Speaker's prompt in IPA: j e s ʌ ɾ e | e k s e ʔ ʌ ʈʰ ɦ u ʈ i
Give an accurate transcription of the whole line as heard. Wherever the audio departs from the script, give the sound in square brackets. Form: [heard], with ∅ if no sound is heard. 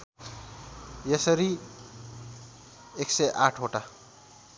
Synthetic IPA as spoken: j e s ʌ ɾ [i] | e k s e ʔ [a] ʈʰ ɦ [o] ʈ [a]